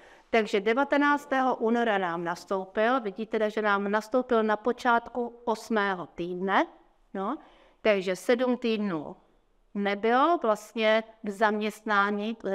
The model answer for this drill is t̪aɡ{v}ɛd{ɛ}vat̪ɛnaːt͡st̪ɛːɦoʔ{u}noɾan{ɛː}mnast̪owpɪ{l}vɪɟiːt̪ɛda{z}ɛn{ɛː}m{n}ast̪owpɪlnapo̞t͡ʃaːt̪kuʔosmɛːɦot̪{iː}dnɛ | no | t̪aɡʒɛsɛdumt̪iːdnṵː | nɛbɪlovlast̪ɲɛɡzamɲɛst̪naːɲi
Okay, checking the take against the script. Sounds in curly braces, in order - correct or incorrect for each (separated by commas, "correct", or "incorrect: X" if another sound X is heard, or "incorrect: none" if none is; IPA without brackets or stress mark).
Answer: incorrect: ʒ, correct, incorrect: uː, incorrect: aː, correct, incorrect: ʒ, incorrect: aː, correct, correct